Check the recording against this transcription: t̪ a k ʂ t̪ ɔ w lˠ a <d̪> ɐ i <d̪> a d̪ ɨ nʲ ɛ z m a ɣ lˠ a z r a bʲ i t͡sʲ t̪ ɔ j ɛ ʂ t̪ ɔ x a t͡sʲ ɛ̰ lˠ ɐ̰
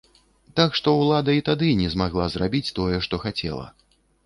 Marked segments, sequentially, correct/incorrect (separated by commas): correct, incorrect